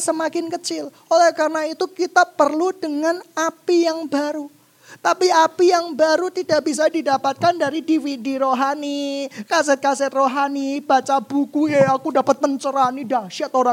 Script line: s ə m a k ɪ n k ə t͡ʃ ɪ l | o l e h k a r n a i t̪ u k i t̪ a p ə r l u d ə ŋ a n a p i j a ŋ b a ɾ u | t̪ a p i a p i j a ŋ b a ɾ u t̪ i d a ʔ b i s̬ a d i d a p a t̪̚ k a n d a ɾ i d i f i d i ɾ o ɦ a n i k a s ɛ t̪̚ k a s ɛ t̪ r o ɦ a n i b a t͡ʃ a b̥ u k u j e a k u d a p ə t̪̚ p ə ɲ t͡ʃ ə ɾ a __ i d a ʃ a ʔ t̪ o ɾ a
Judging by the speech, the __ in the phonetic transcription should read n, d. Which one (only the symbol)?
n